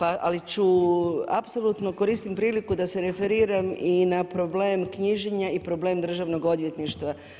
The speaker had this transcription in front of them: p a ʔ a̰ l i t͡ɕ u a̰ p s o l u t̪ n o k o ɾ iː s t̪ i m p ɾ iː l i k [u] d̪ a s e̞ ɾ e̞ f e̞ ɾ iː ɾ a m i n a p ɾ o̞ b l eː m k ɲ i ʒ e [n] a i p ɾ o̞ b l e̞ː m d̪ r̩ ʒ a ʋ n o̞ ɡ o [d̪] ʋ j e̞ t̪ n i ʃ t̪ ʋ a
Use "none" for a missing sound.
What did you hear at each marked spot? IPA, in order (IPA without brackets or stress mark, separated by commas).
u, ɲ, d̪